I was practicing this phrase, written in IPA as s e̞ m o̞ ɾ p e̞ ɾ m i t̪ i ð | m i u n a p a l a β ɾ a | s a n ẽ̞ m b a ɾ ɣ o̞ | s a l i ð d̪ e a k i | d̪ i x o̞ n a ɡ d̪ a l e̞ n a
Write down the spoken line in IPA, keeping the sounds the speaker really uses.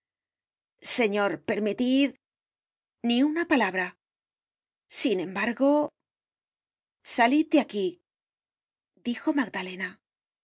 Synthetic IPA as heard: s e̞ ɲ o̞ ɾ p e̞ ɾ m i t̪ i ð | n i u n a p a l a β ɾ a | s i n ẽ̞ m b a ɾ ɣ o̞ | s a l i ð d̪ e a k i | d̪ i x o̞ m a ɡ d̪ a l e̞ n a